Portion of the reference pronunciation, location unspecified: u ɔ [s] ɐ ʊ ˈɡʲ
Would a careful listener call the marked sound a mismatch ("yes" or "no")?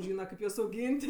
no